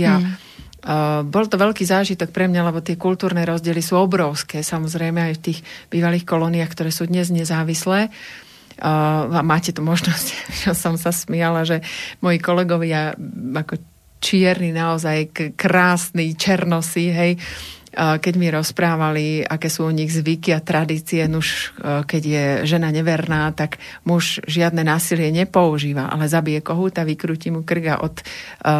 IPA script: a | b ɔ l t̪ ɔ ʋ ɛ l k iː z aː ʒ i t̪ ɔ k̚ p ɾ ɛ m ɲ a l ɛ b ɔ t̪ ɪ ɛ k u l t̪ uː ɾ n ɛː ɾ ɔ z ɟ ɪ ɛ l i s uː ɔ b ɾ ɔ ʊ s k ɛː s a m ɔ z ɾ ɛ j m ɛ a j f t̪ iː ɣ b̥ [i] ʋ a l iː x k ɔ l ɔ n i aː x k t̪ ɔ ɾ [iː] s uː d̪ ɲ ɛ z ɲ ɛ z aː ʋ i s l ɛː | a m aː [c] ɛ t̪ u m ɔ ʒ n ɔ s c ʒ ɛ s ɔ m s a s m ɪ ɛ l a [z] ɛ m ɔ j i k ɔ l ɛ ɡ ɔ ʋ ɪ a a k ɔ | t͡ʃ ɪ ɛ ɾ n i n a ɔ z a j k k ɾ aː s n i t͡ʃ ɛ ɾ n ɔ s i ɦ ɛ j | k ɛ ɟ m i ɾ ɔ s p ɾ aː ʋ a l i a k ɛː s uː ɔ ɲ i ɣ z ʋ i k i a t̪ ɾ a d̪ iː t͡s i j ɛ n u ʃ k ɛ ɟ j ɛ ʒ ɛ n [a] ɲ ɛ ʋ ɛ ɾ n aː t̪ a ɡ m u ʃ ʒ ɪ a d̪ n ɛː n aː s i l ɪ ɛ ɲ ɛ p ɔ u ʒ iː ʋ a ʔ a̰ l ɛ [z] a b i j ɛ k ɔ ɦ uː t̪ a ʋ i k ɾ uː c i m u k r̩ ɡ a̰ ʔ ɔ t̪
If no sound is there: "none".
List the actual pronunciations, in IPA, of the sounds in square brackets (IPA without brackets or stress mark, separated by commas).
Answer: iː, ɛː, c, ʒ, a, z